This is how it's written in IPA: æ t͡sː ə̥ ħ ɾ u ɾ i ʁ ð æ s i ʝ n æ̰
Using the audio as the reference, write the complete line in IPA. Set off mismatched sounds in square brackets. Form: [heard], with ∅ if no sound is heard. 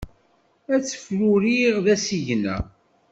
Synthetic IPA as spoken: æ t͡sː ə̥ [f] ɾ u ɾ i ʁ ð æ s i ʝ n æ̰